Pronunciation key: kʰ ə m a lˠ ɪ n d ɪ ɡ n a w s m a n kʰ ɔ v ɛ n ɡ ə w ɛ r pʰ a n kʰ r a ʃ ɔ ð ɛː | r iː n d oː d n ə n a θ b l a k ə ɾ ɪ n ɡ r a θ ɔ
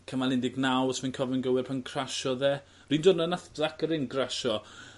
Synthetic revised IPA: kʰ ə m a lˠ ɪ n d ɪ ɡ n a w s m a n kʰ ɔ v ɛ n ɡ ə w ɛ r pʰ a n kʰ r a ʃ ɔ ð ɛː | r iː n d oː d n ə n a θ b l a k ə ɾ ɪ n ɡ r a ʃ ɔ